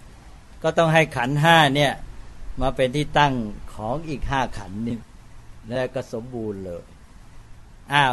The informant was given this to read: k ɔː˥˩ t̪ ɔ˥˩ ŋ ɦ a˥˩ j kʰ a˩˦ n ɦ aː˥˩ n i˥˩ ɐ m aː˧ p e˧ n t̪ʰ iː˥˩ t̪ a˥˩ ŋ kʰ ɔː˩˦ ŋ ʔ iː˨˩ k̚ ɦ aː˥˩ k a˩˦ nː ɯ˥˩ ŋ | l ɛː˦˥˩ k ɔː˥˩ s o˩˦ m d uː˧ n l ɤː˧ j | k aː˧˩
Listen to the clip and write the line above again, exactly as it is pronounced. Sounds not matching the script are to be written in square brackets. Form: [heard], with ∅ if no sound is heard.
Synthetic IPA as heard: k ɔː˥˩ t̪ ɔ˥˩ ŋ ɦ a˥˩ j kʰ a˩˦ n ɦ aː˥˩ n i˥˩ ɐ m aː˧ p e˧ n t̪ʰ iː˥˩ t̪ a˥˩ ŋ kʰ ɔː˩˦ ŋ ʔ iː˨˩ k̚ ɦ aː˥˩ [kʰ] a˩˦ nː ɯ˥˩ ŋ | l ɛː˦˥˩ k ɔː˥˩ s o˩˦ m [b] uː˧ n l ɤː˧ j | [ʔ] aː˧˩